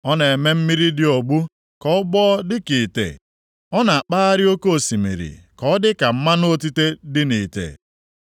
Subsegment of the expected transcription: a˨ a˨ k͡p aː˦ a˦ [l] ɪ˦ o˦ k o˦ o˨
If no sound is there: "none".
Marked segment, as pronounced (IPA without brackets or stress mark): ɾ